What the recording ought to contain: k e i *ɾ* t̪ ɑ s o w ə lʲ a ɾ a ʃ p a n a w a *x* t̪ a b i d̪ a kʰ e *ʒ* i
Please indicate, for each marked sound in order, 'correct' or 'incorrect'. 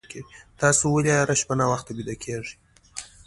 incorrect, correct, incorrect

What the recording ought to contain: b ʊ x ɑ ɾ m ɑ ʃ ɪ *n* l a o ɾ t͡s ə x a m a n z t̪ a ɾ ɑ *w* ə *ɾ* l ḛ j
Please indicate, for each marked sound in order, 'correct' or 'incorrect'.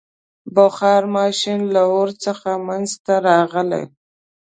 correct, incorrect, incorrect

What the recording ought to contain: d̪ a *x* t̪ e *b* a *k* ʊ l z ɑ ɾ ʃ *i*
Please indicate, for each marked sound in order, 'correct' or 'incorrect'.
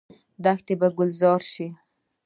correct, correct, incorrect, correct

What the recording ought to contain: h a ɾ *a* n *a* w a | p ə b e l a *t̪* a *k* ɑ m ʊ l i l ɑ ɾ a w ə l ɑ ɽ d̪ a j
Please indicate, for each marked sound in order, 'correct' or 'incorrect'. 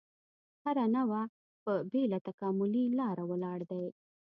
correct, correct, correct, correct

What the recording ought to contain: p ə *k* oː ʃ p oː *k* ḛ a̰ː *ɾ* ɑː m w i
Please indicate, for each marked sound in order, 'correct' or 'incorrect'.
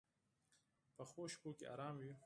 incorrect, correct, correct

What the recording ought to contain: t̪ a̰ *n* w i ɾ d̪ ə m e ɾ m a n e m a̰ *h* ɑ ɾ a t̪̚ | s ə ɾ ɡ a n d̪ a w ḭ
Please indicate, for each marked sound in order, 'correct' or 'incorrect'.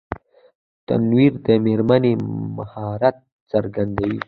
correct, correct

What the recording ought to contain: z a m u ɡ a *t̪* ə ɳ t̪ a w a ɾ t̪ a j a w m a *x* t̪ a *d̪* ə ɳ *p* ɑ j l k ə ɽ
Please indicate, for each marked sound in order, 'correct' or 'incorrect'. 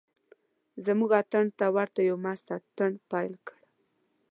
correct, incorrect, incorrect, correct

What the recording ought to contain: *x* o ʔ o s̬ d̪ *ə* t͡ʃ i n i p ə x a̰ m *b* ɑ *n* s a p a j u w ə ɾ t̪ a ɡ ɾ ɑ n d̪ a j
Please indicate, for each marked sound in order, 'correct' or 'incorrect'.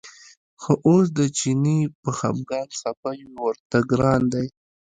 correct, correct, incorrect, correct

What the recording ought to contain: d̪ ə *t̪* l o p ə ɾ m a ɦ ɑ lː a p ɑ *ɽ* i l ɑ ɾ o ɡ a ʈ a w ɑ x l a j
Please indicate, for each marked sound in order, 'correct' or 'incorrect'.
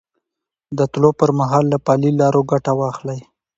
correct, incorrect

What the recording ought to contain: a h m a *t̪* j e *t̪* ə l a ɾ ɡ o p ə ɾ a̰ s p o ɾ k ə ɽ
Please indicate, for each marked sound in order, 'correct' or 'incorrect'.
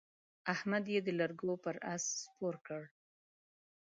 incorrect, incorrect

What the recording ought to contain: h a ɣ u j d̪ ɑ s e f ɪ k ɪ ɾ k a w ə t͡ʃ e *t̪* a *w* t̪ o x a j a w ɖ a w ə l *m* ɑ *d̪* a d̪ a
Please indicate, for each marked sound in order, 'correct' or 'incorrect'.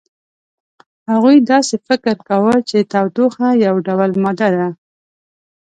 correct, correct, correct, correct

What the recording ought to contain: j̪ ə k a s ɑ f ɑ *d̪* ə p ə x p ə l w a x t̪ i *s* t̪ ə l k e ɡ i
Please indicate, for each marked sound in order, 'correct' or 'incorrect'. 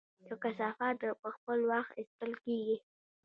incorrect, correct

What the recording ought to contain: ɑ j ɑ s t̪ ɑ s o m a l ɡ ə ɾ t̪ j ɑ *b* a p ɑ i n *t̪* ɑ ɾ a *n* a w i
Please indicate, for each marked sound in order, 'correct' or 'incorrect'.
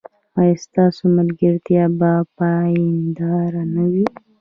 correct, incorrect, correct

